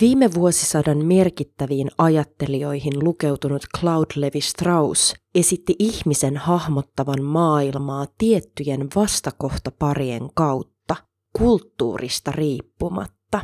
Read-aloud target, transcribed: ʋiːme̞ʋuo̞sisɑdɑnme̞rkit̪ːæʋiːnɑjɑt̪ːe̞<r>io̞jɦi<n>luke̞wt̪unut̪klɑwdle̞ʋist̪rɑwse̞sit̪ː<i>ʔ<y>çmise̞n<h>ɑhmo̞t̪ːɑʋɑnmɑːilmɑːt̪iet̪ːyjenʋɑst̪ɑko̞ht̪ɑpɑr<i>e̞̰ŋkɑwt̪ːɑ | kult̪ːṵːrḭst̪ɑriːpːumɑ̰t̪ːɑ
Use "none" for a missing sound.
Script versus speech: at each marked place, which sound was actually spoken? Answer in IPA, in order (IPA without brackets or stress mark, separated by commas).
l, n, i, i, h, i